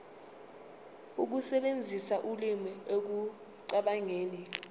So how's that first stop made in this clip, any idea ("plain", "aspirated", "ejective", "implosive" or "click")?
plain